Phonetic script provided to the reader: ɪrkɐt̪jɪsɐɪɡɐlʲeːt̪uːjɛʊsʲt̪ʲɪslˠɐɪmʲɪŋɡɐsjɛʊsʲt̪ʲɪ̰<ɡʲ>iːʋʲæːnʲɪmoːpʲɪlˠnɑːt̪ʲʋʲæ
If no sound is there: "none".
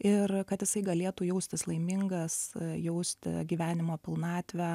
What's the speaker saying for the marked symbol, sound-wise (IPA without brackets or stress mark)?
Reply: ɡʲ